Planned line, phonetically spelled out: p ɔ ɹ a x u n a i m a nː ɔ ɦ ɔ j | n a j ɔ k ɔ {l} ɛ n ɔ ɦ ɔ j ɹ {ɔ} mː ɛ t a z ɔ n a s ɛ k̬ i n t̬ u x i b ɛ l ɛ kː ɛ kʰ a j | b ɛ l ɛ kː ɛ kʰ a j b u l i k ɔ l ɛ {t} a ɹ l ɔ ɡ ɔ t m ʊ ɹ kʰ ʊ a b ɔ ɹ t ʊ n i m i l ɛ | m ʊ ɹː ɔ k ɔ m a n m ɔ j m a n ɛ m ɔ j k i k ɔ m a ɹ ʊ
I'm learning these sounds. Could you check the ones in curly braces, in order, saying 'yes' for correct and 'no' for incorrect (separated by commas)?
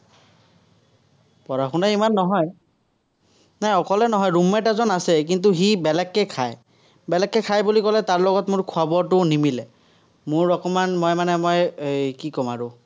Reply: yes, no, yes